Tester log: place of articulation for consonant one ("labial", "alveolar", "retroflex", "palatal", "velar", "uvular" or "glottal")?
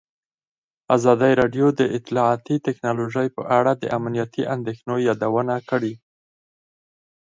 alveolar